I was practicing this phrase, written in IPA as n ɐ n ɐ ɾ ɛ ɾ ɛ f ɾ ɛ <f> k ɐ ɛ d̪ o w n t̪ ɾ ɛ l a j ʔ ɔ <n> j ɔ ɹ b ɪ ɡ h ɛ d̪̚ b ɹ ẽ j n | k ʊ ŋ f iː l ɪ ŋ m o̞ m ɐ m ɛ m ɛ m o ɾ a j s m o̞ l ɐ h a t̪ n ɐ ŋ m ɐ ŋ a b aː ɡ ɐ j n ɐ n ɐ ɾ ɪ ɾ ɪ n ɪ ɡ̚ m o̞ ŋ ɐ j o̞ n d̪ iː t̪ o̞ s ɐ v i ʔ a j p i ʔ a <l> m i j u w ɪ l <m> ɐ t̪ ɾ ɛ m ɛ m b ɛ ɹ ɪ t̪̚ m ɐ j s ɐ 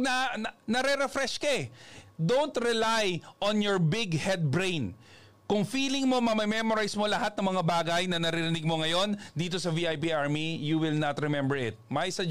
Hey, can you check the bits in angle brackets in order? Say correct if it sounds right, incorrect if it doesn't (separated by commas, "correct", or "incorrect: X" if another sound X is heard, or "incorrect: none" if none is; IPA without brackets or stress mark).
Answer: incorrect: ʃ, correct, incorrect: ɹ, incorrect: n